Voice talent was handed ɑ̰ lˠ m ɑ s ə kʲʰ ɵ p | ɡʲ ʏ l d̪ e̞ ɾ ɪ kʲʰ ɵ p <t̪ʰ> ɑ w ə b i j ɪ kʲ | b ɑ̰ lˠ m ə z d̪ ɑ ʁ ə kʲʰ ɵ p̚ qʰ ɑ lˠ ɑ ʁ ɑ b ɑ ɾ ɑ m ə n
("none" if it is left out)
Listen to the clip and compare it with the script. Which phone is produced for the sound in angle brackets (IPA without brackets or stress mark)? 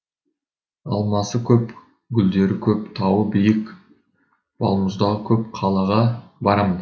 t̪ʰ